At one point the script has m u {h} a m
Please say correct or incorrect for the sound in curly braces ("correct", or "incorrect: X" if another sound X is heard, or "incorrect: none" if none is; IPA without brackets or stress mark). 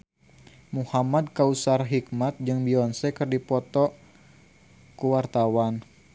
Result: correct